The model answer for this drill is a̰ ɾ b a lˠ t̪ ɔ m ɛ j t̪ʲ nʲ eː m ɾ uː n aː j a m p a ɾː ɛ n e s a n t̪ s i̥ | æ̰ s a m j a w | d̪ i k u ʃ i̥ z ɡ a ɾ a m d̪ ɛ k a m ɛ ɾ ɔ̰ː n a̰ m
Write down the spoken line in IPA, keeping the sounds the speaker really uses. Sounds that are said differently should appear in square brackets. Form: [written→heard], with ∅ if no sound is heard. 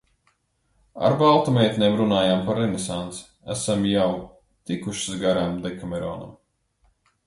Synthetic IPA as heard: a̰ ɾ b a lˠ t̪ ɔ m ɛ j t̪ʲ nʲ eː m ɾ [uː→u] n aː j a m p a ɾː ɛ n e s a n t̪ s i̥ | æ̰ s a m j a w | [d̪→t̪] i k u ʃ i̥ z ɡ a ɾ a m d̪ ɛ k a m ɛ ɾ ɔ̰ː n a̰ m